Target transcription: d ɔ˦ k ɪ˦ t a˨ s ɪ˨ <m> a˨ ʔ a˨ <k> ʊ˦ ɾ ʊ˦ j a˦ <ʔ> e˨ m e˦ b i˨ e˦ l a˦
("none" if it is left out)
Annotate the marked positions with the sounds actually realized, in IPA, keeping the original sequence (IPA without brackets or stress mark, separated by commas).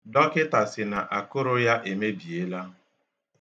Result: n, k, ʔ